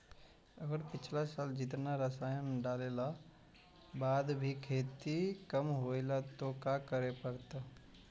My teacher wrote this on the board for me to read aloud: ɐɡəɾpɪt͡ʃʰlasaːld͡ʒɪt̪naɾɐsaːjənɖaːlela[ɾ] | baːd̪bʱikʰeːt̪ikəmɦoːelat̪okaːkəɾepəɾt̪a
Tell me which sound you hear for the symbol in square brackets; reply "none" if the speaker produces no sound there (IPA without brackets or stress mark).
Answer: none